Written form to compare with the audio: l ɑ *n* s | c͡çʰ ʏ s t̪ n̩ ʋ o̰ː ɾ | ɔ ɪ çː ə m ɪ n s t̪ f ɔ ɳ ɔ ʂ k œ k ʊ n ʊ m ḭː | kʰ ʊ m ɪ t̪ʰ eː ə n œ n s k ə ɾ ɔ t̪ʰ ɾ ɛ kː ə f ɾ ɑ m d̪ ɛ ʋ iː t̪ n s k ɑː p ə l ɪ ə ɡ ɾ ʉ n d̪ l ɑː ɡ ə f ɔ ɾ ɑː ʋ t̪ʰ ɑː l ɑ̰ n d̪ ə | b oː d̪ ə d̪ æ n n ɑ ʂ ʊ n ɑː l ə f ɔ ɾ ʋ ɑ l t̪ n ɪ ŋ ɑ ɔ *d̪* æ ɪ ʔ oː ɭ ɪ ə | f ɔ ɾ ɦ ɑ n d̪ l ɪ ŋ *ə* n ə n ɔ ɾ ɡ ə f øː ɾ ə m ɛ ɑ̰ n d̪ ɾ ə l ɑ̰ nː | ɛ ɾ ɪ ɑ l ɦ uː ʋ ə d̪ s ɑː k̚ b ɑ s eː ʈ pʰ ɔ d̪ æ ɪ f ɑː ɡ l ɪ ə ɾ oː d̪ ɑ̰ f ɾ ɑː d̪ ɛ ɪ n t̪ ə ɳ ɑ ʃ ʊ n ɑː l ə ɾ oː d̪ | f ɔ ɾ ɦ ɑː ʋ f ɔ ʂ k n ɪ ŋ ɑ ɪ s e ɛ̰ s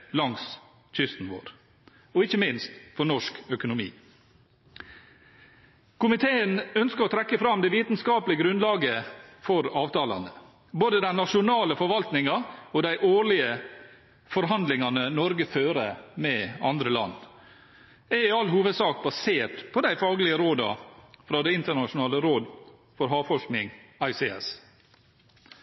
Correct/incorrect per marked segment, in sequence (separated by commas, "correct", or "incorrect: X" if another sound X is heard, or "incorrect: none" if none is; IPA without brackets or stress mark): incorrect: ŋ, correct, incorrect: ɑ